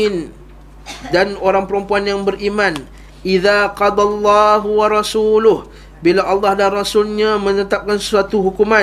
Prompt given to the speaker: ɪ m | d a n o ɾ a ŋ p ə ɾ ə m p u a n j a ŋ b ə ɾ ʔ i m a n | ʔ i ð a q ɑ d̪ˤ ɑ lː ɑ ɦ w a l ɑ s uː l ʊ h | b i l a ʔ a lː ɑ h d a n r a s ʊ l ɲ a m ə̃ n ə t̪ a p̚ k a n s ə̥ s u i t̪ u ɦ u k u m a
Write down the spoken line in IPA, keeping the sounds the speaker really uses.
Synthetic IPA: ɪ n | d a n o ɾ a ŋ p ə ɾ ə m p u a n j a ŋ b ə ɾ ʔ i m a n | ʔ i ð a q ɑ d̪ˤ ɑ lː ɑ ɦ w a ɾ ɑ s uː l ʊ h | b i l a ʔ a lː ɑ h d a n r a s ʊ l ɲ a m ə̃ n ə t̪ a p̚ k a n s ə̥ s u a t̪ u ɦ u k u m a